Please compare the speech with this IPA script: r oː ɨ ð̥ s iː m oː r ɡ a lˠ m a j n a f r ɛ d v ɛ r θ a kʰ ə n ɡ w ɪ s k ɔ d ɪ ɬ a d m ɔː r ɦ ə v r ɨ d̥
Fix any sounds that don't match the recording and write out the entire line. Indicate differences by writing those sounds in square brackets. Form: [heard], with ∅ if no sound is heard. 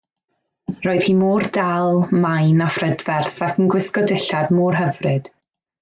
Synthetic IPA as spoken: r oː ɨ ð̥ [h] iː m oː r [d] a lˠ m a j n a f r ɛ d v ɛ r θ a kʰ ə n ɡ w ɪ s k ɔ d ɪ ɬ a d m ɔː r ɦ ə v r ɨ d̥

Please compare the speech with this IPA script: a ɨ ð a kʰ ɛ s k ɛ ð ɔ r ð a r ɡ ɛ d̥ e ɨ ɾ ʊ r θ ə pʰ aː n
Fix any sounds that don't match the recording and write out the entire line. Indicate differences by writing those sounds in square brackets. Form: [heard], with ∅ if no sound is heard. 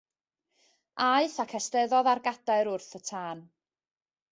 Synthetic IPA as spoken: a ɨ [θ] a kʰ ɛ s [t] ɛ ð ɔ [∅] ð a r ɡ [a] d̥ [a] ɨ ɾ ʊ r θ ə [tʰ] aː n

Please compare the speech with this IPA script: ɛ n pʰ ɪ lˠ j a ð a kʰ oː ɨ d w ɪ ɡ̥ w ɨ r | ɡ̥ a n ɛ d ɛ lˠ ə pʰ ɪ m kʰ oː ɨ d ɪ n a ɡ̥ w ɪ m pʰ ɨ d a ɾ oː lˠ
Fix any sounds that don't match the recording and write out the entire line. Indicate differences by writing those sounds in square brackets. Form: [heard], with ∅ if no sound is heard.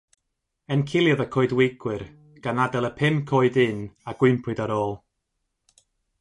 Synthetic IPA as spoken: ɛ n [kʰ] ɪ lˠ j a ð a kʰ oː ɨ d w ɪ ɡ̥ w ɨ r | ɡ̥ a n [a] d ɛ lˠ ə pʰ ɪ m kʰ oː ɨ d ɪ n a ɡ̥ w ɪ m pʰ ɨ d a ɾ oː lˠ

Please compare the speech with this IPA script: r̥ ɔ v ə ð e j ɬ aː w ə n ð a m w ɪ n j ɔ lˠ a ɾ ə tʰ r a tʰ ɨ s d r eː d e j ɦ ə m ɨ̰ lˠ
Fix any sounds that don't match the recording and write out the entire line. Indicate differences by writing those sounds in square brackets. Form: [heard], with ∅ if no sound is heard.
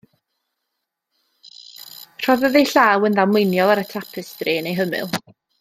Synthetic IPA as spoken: r̥ ɔ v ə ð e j ɬ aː w ə n ð a m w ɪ n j ɔ lˠ a ɾ ə tʰ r a [pʰ] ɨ s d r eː [n] e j ɦ ə m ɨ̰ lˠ

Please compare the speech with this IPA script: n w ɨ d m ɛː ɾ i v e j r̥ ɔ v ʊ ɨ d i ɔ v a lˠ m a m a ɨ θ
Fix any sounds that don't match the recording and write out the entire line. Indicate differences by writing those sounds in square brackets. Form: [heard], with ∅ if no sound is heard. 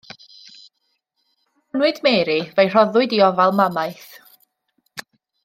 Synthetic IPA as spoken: n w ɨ d m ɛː ɾ i v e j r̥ ɔ [ð] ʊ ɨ d i ɔ v a lˠ m a m a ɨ θ

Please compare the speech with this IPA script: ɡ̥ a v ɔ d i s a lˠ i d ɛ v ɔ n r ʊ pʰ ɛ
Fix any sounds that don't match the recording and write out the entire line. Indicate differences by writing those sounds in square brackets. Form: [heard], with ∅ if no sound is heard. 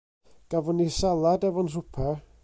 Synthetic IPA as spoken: ɡ̥ a v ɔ [n] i s a lˠ [a] d ɛ v ɔ n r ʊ pʰ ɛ

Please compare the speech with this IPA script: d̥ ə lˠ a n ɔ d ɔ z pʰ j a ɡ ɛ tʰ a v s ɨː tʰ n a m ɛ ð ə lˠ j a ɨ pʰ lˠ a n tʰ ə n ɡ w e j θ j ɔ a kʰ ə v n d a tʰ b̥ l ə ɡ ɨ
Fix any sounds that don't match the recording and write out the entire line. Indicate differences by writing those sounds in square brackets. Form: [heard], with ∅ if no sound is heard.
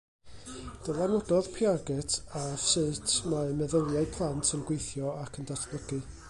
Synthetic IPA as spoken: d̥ ə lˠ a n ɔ d ɔ [ð] pʰ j a ɡ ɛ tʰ a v s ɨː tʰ [m] a m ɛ ð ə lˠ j a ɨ pʰ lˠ a n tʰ ə n ɡ w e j θ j ɔ a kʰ ə [∅] n d a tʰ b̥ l ə ɡ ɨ

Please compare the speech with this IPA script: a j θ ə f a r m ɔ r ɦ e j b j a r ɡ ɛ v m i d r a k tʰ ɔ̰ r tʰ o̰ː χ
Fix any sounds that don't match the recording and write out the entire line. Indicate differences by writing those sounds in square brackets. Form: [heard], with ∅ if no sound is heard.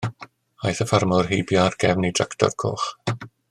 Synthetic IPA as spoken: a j θ ə f a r m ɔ r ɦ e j b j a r ɡ ɛ v [n] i d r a k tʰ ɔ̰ r [kʰ] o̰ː χ

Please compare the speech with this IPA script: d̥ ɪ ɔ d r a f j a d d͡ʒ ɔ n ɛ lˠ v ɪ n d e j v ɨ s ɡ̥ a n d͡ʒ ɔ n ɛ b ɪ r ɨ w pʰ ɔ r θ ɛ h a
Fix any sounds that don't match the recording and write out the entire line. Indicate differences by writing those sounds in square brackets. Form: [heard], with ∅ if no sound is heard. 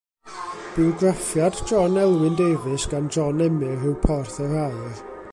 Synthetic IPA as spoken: [b̥] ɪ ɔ [ɡ] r a f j a d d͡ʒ ɔ n ɛ lˠ [w] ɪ n d e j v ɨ s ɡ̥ a n d͡ʒ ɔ n ɛ [m] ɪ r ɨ w pʰ ɔ r θ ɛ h a

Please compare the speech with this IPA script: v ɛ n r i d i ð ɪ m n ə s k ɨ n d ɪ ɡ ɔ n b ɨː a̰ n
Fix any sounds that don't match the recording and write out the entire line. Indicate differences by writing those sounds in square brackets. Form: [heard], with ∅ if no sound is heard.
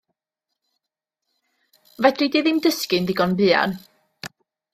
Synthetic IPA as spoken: v ɛ [d] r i d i ð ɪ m [d] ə s k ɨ n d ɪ ɡ ɔ n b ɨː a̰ n

